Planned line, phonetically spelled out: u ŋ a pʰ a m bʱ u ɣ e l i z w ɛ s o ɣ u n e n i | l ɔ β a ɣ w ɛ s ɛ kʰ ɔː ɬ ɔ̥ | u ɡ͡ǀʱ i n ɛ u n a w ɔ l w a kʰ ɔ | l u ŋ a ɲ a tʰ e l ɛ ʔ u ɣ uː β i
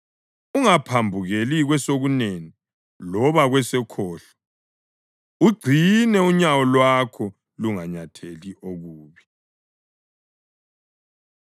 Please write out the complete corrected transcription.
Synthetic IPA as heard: u ŋ a pʰ a m bʱ u ɣ e l i ɣ w ɛ s o ɣ u n e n i | l ɔ β a ɣ w ɛ s ɛ kʰ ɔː ɬ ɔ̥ | u ɡ͡ǀʱ i n ɛ u ɲ a w ɔ l w a kʰ ɔ | l u ŋ a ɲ a tʰ e l i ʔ o ɣ uː β i